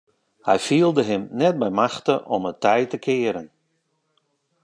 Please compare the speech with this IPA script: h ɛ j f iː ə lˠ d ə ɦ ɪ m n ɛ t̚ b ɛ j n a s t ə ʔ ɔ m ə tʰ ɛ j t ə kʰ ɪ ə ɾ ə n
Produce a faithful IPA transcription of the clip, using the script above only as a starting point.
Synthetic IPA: h ɛ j f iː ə lˠ d ə ɦ ɪ m n ɛ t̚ b ɛ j m a x t ə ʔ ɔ m ə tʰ ɛ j t ə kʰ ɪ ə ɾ ə n